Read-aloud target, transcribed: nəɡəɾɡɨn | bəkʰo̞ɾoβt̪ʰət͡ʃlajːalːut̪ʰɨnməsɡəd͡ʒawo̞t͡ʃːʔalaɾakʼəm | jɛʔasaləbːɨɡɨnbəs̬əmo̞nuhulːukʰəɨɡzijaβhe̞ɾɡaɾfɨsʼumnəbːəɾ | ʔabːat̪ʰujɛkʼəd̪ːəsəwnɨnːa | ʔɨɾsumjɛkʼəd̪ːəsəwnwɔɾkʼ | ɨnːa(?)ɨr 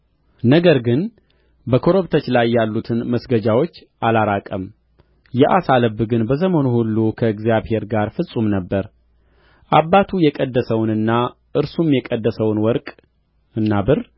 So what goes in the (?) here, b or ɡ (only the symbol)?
b